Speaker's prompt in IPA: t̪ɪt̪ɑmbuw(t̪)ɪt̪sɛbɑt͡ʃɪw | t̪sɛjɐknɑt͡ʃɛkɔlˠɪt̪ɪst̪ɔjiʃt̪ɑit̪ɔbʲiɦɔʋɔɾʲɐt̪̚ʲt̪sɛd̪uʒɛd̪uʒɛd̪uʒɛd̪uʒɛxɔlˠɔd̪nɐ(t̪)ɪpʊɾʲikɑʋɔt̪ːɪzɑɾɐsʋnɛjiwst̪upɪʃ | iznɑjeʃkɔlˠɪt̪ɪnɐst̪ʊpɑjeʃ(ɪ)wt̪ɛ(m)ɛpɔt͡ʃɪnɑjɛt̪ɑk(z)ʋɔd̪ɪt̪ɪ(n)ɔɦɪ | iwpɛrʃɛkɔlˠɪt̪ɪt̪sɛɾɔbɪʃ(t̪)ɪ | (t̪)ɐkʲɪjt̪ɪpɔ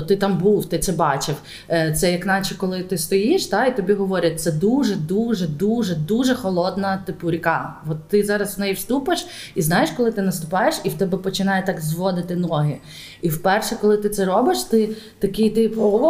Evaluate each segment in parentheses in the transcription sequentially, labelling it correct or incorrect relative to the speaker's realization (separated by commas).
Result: correct, correct, incorrect, incorrect, correct, correct, correct, correct